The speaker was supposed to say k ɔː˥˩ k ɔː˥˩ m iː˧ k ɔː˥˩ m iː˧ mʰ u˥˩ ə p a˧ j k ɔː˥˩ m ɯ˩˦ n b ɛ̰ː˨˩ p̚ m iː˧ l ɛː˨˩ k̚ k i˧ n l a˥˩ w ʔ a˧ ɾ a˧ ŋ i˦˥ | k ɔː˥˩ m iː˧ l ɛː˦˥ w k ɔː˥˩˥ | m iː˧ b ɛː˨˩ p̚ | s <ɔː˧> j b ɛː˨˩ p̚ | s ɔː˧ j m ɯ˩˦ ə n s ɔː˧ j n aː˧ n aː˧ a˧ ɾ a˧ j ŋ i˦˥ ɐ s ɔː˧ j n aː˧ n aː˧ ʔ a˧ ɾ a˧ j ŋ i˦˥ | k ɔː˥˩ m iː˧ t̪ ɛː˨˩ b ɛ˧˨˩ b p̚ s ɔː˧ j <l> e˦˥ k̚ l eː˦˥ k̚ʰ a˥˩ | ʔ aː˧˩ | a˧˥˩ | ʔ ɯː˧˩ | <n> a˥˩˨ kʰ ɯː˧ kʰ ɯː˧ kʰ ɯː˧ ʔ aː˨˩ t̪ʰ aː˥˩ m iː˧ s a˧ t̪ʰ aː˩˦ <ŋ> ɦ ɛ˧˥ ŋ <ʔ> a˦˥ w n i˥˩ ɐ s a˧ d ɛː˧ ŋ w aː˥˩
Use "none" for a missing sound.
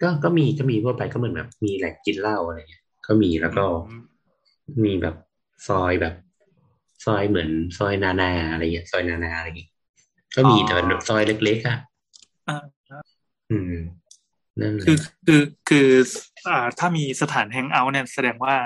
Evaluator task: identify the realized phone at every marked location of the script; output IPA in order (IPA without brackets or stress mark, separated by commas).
ɔː˧, l, n, n, ʔ